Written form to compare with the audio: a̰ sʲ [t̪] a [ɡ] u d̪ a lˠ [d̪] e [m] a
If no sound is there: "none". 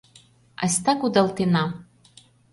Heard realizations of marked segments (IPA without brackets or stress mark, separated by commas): t̪, k, t̪, n